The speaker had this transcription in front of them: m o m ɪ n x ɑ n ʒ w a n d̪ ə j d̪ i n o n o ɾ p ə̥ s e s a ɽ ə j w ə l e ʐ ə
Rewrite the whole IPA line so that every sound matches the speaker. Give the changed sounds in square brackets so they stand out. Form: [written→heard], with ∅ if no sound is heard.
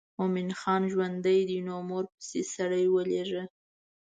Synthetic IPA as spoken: m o m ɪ n x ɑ n ʒ w a n d̪ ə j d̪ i n o [n→m] o ɾ p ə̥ s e s a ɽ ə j w ə l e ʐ ə